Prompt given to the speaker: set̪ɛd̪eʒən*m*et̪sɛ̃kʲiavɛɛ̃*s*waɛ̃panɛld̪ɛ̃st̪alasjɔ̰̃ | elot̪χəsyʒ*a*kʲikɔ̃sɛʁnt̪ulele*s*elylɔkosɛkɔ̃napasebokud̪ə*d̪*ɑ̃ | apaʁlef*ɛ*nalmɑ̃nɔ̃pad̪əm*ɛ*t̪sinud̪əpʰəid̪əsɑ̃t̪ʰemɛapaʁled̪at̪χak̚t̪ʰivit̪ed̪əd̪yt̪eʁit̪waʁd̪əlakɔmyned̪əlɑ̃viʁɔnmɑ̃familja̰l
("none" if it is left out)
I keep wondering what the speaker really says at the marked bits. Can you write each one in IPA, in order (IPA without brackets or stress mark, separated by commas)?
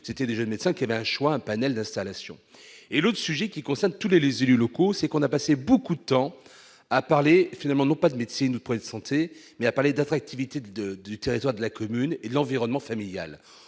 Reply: m, ʃ, ɛ, z, t̪, i, e